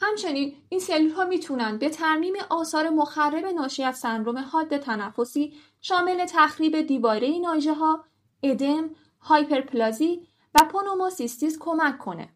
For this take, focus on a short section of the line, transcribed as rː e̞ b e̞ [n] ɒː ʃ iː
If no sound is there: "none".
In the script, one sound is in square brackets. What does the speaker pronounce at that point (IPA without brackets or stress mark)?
n